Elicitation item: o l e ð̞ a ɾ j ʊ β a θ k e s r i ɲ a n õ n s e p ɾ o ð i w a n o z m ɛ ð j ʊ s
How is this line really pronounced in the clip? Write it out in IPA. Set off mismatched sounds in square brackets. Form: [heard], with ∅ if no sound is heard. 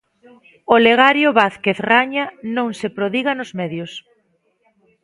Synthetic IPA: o l e [ɣ̞] a ɾ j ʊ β a θ k e [θ] r [a] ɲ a n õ [ŋ] s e p ɾ o ð i [ɣ] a n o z m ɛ ð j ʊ s